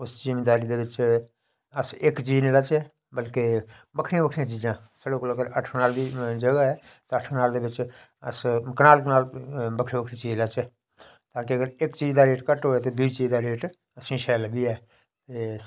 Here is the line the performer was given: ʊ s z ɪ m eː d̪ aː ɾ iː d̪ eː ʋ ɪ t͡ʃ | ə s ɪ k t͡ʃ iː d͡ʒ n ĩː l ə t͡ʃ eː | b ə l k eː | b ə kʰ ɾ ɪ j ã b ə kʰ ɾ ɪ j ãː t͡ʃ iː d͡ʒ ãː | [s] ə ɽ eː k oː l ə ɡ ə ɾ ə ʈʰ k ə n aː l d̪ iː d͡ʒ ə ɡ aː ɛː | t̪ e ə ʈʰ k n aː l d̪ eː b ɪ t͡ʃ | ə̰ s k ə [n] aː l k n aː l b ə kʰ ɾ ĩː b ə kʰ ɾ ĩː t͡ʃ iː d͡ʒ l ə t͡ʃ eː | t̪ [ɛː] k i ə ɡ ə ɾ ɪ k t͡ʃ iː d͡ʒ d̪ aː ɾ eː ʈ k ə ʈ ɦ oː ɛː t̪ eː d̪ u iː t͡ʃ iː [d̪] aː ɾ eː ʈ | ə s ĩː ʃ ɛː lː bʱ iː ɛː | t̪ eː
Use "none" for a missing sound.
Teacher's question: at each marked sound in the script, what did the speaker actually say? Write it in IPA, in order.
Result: s, n, aː, d̪

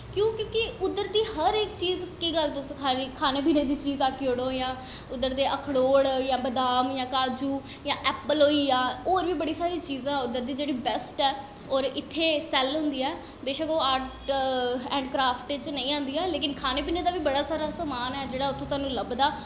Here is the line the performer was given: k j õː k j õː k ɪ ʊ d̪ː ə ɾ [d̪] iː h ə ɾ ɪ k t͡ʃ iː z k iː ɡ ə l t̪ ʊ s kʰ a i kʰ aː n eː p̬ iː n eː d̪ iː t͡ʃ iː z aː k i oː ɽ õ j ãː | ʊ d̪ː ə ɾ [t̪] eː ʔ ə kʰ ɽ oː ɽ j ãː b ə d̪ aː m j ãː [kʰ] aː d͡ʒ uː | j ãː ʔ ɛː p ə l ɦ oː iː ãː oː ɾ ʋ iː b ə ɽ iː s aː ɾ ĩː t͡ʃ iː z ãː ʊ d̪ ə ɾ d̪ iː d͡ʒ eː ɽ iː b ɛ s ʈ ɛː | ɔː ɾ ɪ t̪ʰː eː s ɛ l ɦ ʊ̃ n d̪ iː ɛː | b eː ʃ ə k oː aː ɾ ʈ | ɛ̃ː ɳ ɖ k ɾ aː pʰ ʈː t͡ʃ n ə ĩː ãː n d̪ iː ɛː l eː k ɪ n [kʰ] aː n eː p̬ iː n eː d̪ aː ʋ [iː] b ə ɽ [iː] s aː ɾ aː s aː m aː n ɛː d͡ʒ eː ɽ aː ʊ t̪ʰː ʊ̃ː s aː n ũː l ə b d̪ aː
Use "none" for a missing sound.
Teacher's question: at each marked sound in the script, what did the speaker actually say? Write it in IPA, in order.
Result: d̪, d̪, k, kʰ, iː, aː

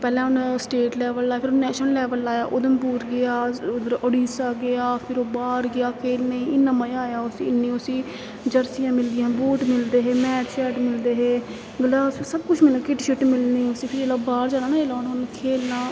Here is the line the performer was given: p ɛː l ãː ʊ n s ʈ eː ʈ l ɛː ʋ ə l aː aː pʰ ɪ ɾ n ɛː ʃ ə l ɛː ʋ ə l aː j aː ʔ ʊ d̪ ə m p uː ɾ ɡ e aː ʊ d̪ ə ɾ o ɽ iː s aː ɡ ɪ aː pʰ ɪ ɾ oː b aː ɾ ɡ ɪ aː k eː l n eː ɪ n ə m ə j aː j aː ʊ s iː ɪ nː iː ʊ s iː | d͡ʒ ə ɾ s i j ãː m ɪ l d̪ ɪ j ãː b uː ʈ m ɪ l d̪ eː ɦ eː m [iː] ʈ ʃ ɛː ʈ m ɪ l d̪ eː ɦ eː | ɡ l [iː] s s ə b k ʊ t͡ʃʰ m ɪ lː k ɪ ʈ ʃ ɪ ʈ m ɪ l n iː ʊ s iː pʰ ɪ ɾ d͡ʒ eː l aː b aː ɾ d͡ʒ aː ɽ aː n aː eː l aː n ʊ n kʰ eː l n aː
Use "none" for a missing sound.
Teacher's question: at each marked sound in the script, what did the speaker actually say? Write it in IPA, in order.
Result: ɛː, aː

